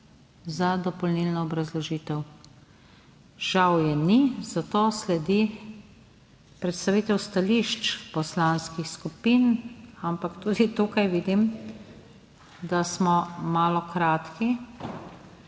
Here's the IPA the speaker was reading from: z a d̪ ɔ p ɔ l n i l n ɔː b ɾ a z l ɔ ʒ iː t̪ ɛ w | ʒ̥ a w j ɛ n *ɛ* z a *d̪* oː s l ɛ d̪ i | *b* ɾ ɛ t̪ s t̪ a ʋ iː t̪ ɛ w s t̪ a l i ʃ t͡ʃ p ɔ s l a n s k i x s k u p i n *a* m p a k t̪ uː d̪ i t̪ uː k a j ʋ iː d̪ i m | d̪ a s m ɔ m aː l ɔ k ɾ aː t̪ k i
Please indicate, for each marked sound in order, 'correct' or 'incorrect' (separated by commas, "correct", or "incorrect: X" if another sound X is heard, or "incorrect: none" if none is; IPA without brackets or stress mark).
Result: incorrect: i, incorrect: t̪, incorrect: p, correct